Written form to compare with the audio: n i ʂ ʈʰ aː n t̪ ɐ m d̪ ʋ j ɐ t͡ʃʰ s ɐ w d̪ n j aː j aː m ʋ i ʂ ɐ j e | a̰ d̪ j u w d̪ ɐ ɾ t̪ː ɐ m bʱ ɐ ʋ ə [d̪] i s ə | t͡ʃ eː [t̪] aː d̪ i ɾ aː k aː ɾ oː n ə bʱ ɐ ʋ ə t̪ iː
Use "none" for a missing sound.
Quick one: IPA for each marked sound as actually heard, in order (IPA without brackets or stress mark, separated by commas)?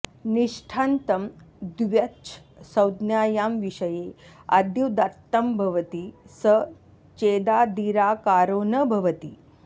t̪, d̪